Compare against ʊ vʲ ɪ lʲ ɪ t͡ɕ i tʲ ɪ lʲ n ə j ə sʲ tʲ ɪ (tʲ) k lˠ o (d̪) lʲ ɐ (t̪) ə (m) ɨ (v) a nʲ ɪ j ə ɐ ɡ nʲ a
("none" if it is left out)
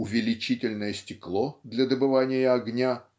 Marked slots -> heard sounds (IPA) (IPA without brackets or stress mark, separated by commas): none, d̪, d̪, b, v